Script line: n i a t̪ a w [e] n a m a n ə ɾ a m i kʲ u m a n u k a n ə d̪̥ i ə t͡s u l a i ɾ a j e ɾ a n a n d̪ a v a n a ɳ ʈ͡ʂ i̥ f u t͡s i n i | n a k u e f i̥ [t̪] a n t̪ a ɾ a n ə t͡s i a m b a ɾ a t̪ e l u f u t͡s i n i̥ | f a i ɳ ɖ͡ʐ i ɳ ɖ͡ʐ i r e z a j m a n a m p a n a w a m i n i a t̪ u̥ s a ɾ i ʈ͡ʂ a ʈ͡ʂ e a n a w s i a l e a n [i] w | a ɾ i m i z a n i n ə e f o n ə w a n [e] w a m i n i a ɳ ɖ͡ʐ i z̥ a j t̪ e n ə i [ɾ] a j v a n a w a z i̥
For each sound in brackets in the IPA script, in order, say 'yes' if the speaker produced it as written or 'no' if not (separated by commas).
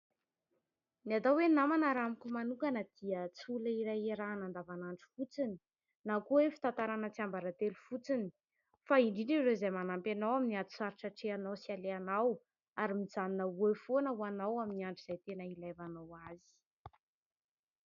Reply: yes, yes, no, no, no